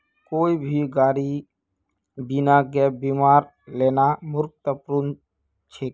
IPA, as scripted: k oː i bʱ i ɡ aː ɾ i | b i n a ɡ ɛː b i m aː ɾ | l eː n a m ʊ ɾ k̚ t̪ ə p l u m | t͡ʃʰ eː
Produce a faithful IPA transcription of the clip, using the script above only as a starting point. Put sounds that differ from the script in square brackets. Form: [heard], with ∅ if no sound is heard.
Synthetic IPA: k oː i bʱ i ɡ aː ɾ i | b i n a ɡ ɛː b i m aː ɾ | l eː n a m ʊ ɾ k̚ t̪ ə p [ɾ] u [n] | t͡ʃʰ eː